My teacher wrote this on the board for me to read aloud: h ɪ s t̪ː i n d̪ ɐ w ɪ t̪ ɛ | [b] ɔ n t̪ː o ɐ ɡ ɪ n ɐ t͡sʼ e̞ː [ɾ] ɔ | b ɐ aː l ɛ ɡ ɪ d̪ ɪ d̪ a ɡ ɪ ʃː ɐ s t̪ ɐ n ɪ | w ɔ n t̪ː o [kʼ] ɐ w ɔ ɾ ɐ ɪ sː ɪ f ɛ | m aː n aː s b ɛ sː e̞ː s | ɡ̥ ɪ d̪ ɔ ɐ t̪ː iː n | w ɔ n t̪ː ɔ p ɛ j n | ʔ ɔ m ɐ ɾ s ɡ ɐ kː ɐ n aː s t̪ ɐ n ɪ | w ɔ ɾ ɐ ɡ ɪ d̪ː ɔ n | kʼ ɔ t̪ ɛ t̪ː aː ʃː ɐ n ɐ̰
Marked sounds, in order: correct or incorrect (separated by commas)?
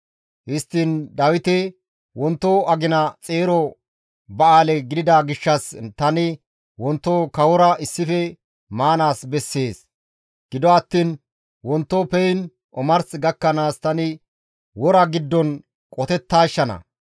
incorrect, correct, incorrect